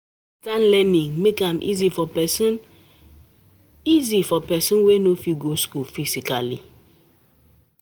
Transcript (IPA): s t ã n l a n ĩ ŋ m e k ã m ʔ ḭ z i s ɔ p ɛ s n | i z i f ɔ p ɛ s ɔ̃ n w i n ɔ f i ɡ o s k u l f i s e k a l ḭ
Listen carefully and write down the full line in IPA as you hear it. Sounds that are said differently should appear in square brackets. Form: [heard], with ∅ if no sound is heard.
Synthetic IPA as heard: s t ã n l [ɛ] n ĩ ŋ m e k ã m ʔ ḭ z i [f] ɔ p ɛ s n | i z i f ɔ p ɛ s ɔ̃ n w [e] n [o] f i ɡ o s k u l f i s [i] k a l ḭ